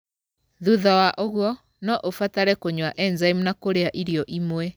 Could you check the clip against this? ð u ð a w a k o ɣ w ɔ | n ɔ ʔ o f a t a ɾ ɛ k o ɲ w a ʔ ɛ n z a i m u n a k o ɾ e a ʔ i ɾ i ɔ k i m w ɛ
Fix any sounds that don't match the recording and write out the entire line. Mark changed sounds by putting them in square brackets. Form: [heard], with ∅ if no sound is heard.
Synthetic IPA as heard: ð u ð a w a [ʔ] o ɣ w ɔ | n ɔ ʔ o f a t a ɾ ɛ k o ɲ w a ʔ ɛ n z a i m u n a k o ɾ e a ʔ i ɾ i ɔ [ʔ] i m w ɛ